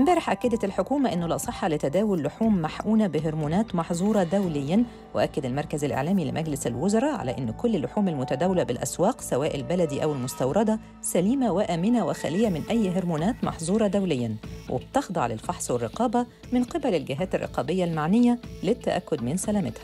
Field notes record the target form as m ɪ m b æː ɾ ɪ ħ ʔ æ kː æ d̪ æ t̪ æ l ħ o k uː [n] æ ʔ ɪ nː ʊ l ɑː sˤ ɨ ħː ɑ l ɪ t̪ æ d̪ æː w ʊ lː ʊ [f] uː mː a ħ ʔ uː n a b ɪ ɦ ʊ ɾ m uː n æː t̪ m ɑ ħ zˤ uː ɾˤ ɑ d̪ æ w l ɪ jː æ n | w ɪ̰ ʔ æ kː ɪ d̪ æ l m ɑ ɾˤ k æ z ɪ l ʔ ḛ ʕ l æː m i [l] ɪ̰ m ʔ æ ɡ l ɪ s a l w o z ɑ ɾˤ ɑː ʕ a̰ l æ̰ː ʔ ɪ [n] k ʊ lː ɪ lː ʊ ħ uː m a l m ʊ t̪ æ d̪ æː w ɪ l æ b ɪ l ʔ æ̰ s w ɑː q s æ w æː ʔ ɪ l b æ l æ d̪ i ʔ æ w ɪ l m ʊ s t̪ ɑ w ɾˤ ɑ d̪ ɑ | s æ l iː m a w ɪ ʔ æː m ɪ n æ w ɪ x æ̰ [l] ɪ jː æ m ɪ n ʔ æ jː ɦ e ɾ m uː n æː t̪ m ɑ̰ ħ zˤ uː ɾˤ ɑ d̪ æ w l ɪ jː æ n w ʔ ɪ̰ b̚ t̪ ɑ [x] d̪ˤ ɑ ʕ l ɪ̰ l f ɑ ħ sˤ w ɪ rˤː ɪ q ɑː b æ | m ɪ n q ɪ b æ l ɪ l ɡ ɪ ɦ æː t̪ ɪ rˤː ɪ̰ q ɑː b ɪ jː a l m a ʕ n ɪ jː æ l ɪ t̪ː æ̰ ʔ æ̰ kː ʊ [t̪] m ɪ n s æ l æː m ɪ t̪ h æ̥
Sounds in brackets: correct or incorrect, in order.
incorrect: m, incorrect: ħ, correct, incorrect: nː, correct, correct, incorrect: d̪

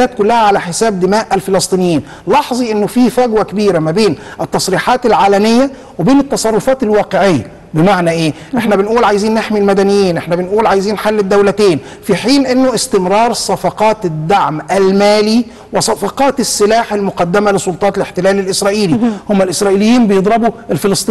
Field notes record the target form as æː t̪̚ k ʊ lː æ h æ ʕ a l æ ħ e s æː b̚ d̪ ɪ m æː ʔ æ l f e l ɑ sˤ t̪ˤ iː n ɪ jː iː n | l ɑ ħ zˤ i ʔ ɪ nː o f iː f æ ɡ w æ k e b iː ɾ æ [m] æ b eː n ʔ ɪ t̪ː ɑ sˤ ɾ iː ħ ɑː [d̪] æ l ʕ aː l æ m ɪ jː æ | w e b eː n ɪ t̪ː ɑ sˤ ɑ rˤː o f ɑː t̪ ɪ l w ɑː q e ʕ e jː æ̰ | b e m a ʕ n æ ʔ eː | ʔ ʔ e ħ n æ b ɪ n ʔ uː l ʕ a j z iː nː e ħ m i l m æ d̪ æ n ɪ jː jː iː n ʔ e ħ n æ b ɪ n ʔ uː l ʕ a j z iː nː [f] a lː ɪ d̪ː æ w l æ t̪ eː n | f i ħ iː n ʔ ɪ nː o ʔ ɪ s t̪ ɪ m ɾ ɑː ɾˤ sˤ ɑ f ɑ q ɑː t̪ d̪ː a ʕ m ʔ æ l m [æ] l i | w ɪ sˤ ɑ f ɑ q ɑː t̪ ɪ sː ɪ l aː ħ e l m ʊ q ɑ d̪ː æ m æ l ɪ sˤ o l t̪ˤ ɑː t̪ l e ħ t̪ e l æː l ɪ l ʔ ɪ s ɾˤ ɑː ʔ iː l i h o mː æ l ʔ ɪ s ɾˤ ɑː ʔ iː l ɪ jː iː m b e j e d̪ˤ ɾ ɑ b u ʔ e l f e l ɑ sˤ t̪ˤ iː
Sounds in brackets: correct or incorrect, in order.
correct, incorrect: t̪, incorrect: ħ, incorrect: æː

